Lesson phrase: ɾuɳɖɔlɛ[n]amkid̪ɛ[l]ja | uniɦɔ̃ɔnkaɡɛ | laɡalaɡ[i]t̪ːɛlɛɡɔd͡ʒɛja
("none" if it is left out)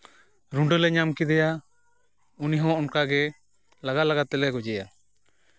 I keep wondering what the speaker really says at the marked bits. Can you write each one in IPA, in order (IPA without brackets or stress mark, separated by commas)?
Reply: ɲ, none, a